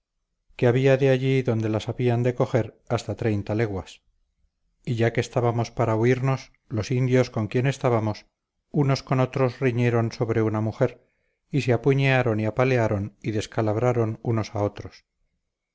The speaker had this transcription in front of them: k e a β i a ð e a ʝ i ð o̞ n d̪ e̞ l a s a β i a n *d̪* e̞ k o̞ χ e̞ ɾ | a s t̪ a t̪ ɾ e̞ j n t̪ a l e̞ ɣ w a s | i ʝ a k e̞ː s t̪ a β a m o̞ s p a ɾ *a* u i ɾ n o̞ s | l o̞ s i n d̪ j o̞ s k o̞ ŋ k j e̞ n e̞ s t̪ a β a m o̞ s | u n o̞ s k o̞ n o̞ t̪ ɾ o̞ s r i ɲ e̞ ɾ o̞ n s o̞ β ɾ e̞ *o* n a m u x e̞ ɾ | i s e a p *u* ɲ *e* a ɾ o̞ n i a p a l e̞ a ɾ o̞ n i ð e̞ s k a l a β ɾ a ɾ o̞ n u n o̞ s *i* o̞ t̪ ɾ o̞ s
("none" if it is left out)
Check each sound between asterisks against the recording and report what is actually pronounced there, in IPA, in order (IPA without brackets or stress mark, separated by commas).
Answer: d̪, a, u, u, e, a